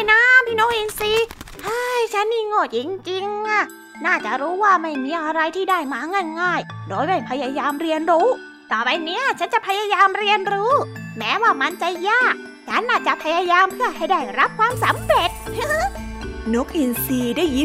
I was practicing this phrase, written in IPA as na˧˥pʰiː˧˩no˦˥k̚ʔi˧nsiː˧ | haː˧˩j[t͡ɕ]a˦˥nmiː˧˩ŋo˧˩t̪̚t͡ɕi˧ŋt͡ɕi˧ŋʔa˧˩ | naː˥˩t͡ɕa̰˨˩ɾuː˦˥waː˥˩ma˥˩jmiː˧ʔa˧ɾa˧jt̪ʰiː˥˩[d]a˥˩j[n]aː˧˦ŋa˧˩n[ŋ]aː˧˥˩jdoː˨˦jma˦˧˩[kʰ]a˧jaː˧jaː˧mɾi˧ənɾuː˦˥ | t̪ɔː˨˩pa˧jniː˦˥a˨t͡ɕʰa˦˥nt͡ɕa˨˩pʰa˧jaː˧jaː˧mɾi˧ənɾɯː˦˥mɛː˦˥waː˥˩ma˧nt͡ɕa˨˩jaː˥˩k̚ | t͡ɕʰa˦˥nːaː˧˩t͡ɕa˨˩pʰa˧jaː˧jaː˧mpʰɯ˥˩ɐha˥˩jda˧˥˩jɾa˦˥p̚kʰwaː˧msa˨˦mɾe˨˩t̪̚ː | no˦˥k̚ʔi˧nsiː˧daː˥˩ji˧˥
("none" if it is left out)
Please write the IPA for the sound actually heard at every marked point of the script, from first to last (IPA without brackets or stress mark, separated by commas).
t͡ɕʰ, d, m, ŋ, pʰ